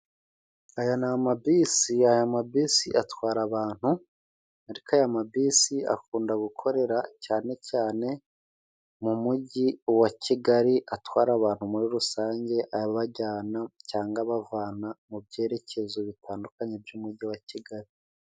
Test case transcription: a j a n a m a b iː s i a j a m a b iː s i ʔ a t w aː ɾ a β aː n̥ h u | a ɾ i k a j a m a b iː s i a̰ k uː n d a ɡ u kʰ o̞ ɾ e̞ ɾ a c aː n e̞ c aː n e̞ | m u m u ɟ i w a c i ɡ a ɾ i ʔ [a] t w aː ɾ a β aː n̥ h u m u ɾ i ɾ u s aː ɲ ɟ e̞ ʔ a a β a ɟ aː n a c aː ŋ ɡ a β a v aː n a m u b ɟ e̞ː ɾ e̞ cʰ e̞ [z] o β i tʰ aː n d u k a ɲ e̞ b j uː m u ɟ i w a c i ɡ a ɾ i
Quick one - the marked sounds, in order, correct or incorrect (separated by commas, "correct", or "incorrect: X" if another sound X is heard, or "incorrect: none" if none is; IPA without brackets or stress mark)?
correct, correct